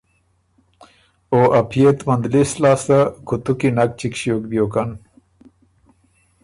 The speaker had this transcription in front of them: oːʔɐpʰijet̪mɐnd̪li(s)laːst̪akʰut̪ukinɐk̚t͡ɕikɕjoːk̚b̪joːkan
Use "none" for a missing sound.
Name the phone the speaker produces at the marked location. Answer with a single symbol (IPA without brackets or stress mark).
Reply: s